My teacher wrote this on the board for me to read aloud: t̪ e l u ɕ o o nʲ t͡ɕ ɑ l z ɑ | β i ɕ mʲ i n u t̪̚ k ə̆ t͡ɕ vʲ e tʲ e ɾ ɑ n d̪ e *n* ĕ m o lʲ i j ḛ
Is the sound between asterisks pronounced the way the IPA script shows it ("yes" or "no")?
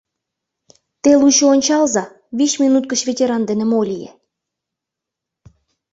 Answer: yes